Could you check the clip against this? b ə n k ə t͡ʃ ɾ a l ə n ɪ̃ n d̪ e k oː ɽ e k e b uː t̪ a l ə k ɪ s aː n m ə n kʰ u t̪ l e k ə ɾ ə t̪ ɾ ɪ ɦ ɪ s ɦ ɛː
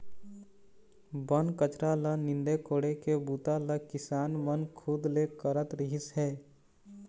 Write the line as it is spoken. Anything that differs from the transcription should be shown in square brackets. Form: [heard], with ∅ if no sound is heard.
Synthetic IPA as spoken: b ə n k ə t͡ʃ ɾ a l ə n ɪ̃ n d̪ e k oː ɽ e k e b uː t̪ a l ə k ɪ s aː n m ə n kʰ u [d̪] l e k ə ɾ ə t̪ ɾ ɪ ɦ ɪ s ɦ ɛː

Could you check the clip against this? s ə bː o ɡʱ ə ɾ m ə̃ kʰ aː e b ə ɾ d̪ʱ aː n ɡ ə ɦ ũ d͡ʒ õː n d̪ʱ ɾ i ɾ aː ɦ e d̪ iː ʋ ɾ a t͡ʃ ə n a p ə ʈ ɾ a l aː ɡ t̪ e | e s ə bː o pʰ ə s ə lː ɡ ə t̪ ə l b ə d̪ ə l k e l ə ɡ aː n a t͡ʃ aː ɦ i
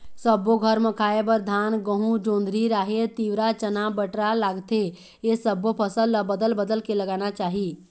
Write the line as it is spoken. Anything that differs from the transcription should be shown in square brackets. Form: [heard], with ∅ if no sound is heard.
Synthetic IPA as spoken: s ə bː o ɡʱ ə ɾ m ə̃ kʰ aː e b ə ɾ d̪ʱ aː n ɡ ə ɦ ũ d͡ʒ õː n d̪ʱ ɾ i ɾ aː ɦ e [t̪] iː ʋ ɾ a t͡ʃ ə n a [b] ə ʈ ɾ a l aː ɡ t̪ e | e s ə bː o pʰ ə s ə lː [b] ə [d̪] ə l b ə d̪ ə l k e l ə ɡ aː n a t͡ʃ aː ɦ i

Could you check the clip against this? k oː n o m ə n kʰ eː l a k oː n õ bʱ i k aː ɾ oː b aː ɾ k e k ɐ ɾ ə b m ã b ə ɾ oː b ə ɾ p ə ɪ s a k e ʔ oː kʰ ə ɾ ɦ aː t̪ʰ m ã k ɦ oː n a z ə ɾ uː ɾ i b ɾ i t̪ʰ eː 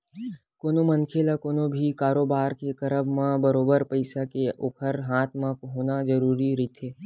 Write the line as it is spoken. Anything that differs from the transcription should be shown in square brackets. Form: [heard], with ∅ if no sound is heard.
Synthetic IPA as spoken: k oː n o m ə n kʰ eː l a k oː n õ bʱ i k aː ɾ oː b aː ɾ k e k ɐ ɾ ə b m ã b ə ɾ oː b ə ɾ p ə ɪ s a k e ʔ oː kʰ ə ɾ ɦ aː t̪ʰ m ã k ɦ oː n a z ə ɾ uː ɾ i [∅] ɾ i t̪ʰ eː

